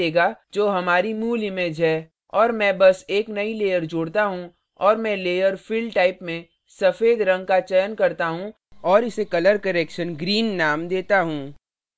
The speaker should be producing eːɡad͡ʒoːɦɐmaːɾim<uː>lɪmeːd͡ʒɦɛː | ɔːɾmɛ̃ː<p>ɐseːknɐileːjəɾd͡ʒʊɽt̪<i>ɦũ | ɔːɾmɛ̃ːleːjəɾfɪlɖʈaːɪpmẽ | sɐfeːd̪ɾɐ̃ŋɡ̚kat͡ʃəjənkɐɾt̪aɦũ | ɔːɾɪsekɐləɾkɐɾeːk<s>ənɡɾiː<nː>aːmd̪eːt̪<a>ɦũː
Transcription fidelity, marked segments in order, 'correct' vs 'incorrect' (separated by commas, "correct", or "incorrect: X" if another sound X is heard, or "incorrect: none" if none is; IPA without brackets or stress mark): correct, incorrect: b, incorrect: a, incorrect: ʃ, correct, correct